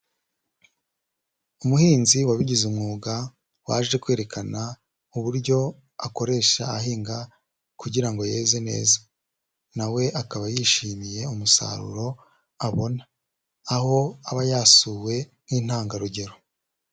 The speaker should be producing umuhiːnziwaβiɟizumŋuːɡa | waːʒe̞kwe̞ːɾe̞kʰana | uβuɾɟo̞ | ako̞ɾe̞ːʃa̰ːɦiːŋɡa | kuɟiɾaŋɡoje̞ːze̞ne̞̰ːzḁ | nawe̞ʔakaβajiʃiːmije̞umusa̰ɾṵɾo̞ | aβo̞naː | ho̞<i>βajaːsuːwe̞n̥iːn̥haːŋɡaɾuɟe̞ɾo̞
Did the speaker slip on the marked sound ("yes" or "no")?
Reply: yes